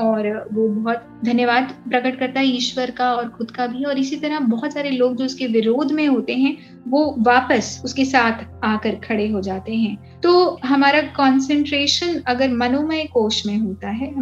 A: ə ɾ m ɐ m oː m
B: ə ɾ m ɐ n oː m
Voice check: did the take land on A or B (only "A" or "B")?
B